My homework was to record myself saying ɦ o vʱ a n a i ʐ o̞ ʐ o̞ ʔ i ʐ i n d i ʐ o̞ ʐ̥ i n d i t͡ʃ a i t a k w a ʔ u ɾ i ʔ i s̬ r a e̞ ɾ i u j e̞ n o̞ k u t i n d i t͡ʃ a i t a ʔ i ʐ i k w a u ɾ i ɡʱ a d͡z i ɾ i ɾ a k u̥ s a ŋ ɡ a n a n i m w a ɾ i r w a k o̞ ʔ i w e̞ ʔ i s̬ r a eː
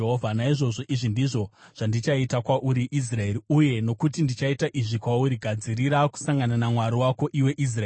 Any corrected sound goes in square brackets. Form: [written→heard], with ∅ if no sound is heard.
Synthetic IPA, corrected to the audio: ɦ o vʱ a n a i ʐ o̞ ʐ o̞ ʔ i ʐ i n d i ʐ o̞ ʐ̥ [i→a] n d i t͡ʃ a i t a k w a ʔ u ɾ i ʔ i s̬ r a e̞ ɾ i u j e̞ n o̞ k u t i n d i t͡ʃ a i t a ʔ i ʐ i k w a u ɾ i ɡʱ a d͡z i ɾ i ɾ a k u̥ s a ŋ ɡ a n a n [i→a] m w a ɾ i [r→∅] w a k o̞ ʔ i w e̞ ʔ i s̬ r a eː